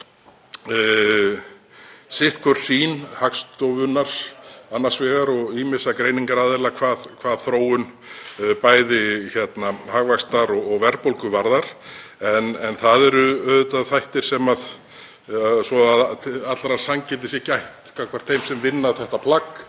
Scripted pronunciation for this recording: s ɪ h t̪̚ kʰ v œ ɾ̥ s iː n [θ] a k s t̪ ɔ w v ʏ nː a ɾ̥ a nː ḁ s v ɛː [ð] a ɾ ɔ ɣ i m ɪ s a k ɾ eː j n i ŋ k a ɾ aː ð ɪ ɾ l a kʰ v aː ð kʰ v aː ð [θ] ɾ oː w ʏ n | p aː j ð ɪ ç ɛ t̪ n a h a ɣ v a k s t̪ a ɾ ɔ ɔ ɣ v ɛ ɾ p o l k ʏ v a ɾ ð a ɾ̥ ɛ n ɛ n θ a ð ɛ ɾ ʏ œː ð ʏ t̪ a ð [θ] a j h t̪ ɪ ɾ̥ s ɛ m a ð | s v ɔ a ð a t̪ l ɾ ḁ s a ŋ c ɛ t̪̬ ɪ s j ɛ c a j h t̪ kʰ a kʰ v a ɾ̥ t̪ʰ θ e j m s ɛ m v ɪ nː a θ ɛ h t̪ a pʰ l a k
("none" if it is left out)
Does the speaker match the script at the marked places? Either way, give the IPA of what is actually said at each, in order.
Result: h, ɣ, θ, θ

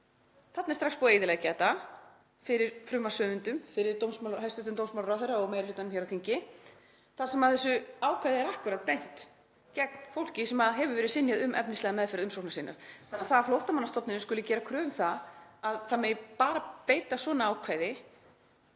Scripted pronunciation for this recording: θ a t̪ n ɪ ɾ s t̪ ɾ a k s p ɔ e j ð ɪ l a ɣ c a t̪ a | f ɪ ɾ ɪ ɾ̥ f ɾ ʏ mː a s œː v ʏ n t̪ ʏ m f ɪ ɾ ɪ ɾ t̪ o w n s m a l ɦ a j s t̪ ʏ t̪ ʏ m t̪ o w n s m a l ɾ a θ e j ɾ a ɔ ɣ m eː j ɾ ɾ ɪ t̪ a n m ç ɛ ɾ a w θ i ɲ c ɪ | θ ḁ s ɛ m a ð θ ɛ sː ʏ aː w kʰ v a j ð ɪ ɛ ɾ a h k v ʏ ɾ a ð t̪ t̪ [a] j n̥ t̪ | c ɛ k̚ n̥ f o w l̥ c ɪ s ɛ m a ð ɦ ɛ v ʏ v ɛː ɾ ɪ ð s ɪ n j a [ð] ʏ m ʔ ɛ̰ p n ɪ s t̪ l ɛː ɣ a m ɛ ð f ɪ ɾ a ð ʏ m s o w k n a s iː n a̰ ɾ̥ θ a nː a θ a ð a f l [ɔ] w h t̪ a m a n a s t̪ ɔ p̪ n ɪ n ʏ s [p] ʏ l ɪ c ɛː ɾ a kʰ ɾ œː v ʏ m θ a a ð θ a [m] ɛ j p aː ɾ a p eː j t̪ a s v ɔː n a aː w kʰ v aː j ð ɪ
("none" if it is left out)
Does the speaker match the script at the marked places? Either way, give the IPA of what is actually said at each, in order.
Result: e, ð, o, k, m

